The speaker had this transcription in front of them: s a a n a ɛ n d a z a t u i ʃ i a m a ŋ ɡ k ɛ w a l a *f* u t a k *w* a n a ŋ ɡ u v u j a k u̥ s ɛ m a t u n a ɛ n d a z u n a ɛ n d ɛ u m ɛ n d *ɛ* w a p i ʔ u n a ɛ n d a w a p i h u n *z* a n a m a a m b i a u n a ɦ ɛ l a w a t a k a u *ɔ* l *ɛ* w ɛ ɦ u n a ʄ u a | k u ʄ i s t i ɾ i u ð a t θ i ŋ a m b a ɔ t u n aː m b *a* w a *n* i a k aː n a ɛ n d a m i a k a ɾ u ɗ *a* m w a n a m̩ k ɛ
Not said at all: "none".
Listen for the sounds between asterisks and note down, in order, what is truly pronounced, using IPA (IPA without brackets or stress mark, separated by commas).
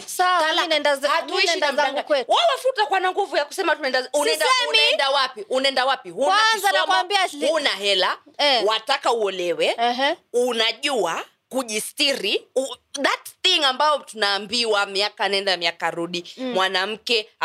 f, w, a, z, ɔ, ɛ, i, m, i